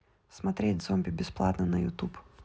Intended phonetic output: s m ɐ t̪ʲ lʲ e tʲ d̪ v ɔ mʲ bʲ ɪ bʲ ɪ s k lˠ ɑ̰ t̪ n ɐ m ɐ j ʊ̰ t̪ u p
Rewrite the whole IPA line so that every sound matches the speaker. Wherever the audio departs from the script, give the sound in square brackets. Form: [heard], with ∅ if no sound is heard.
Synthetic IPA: s m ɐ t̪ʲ [ɾʲ] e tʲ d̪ [z] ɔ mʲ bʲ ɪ bʲ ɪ s [p] lˠ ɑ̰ t̪ n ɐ [n] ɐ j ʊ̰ t̪ u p